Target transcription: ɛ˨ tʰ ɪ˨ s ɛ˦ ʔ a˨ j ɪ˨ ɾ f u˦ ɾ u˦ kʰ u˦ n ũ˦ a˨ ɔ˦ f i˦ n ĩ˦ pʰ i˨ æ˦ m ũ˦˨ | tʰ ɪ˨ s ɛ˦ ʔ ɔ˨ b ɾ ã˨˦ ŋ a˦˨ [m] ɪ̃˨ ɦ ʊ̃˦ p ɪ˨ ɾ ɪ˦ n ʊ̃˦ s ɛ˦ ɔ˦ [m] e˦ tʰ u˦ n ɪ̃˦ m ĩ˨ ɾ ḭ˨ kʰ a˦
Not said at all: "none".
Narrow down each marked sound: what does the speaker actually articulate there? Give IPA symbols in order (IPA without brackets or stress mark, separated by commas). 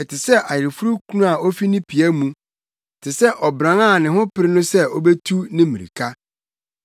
n, b